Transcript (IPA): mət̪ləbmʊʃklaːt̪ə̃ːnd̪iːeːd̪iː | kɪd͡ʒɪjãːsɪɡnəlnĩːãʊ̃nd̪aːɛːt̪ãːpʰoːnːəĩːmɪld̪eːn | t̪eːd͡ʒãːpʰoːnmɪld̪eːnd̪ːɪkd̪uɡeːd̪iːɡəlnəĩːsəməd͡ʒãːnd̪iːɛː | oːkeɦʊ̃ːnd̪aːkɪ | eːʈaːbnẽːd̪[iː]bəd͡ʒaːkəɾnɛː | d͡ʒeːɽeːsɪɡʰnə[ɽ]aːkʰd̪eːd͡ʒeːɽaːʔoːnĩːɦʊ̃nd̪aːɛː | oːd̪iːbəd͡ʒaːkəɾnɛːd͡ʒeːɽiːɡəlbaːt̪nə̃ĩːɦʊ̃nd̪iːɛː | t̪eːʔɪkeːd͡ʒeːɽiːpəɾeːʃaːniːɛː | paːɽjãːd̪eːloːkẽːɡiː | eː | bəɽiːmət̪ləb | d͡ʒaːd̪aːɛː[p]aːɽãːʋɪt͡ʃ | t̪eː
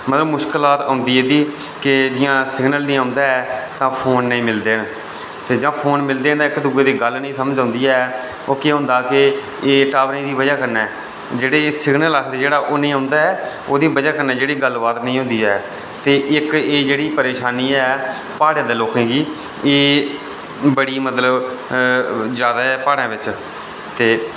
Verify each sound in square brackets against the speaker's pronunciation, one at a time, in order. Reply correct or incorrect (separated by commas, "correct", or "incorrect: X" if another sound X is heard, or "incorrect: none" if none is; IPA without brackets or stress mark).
correct, incorrect: l, correct